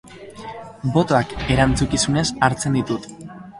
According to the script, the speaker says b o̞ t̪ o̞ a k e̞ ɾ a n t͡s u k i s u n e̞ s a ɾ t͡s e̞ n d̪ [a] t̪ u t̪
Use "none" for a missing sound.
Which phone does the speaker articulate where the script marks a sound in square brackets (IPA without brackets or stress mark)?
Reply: i